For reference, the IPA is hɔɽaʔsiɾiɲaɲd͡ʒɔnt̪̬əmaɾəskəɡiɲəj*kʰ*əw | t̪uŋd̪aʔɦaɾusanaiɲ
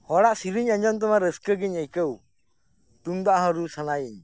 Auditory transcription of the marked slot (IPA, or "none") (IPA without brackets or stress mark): k